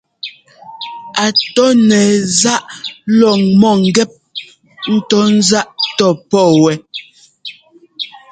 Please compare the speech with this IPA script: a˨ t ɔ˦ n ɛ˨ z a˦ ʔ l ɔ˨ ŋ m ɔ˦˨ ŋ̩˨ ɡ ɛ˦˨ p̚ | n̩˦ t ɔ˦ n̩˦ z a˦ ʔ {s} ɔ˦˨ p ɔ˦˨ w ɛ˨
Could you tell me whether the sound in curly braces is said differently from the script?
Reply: yes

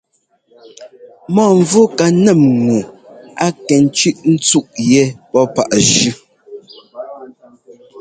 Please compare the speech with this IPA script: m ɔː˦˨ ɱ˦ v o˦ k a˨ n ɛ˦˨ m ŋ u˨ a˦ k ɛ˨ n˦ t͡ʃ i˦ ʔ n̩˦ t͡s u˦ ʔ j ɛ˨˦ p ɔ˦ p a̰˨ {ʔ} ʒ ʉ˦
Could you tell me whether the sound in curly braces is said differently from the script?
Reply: no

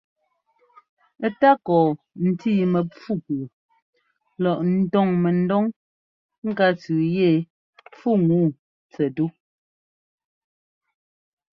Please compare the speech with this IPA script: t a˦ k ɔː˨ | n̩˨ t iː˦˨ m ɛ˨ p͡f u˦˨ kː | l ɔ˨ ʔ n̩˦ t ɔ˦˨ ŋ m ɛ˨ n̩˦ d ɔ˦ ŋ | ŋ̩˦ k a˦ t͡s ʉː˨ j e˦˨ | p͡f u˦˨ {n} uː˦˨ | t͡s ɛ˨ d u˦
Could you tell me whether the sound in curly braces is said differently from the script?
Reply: yes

